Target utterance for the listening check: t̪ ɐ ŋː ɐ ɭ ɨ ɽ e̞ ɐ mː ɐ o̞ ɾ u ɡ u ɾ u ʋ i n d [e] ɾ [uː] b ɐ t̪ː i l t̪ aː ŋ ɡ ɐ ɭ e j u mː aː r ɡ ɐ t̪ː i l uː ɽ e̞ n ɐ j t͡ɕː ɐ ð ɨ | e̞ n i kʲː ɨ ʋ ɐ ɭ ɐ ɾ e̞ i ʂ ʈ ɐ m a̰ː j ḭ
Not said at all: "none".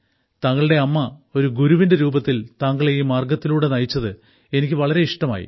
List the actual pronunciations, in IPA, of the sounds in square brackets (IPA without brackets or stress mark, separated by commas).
e, uː